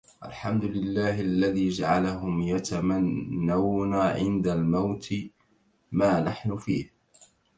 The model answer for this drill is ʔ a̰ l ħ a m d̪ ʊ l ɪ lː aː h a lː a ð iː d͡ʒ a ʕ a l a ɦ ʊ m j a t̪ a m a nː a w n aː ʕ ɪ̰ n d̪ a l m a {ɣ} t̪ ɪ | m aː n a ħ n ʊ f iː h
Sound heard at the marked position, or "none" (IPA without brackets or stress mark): w